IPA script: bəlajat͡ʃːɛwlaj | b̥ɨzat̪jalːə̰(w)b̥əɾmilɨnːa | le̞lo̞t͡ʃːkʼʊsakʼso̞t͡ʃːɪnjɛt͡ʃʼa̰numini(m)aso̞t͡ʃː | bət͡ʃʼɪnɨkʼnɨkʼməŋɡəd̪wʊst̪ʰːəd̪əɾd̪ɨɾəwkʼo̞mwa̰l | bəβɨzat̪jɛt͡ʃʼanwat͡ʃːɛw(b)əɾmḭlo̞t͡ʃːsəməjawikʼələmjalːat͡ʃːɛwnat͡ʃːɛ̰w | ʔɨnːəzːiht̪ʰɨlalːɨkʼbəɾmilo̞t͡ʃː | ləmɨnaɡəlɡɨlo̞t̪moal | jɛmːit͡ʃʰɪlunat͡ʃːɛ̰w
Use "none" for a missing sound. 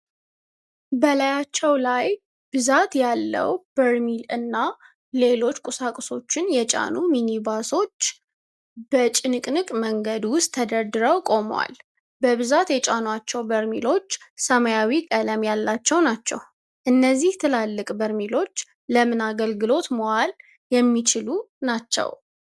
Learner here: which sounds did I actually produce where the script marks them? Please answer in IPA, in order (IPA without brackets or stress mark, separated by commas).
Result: w, b, b